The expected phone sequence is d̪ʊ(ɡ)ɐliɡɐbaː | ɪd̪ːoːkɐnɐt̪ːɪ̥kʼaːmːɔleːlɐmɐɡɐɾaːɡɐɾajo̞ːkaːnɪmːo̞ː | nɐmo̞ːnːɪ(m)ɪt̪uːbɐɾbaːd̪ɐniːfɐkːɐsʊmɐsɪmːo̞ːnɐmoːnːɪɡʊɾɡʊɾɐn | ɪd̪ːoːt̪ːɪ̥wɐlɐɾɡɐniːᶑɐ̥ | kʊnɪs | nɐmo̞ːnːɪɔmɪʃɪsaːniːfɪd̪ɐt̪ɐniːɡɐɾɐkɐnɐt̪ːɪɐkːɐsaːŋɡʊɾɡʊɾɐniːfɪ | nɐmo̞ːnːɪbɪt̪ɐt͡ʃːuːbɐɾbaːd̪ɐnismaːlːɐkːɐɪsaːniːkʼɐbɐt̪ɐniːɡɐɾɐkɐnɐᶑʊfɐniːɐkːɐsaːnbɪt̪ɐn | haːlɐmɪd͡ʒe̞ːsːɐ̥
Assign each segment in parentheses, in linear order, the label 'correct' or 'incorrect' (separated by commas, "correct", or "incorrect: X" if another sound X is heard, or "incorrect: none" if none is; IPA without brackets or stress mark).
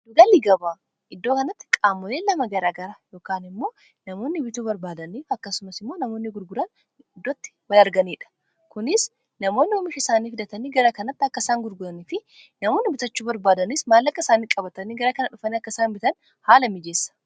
correct, incorrect: b